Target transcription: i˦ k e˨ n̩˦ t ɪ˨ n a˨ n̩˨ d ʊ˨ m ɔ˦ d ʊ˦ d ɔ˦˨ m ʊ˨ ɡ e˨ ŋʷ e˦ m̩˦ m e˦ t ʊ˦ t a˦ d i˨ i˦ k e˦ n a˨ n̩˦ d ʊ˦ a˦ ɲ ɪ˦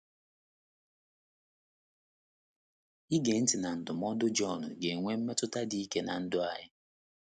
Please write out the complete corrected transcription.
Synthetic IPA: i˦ ɡ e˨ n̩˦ t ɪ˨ n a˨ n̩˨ d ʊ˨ m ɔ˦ d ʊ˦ d͡ʒ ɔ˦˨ n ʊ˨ ɡ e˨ ŋʷ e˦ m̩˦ m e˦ t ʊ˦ t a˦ d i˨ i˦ k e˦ n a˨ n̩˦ d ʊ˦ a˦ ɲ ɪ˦

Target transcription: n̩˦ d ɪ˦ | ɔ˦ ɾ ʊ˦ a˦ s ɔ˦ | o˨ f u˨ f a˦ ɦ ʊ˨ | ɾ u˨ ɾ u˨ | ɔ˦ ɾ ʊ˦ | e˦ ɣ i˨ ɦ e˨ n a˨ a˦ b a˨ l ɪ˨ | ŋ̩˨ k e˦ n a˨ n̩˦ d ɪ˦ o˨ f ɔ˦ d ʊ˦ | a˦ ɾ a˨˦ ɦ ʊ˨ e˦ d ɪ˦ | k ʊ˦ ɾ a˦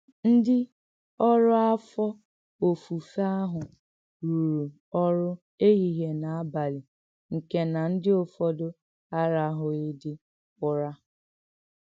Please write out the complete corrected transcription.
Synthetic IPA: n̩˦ d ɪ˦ | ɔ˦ ɾ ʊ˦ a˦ f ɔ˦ | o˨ f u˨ f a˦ ɦ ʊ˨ | ɾ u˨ ɾ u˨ | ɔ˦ ɾ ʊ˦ | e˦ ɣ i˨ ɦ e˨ n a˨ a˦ b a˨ l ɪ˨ | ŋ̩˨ k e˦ n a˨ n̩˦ d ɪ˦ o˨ f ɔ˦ d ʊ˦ | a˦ ɾ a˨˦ ɦ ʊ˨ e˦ d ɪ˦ | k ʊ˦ ɾ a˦

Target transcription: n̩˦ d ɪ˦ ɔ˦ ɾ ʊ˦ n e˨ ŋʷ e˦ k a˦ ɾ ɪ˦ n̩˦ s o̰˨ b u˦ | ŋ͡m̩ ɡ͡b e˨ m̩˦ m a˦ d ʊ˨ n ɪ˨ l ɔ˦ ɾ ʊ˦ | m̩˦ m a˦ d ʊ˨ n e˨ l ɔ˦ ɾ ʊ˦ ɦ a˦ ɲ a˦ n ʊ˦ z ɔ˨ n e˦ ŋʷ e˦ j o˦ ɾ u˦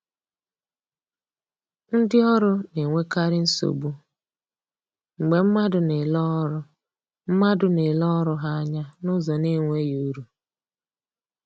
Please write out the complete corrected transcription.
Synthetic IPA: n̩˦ d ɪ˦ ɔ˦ ɾ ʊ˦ n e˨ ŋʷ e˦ k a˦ ɾ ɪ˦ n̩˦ s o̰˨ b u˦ | ŋ͡m̩ ɡ͡b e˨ m̩˦ m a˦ d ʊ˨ n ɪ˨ l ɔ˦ ɾ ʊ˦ | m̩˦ m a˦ d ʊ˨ n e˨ l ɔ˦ ɾ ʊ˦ ɦ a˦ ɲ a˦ n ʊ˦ z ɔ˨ n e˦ ŋʷ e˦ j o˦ ɾ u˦

